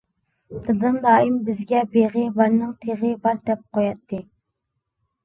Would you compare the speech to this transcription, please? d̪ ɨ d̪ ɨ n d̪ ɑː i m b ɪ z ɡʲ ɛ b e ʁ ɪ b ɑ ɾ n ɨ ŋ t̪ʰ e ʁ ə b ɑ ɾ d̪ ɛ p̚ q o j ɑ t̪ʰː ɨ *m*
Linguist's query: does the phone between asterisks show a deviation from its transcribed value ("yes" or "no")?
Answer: yes